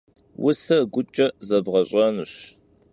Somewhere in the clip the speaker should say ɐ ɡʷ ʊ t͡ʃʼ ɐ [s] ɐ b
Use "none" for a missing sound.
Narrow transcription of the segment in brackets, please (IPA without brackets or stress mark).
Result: z